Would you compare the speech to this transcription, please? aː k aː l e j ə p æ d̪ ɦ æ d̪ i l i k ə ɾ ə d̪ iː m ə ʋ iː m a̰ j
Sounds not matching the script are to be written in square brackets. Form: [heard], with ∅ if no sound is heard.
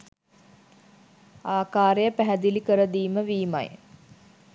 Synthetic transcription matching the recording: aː k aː [ɾ] e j ə p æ [∅] ɦ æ d̪ i l i k ə ɾ ə d̪ iː m ə ʋ iː m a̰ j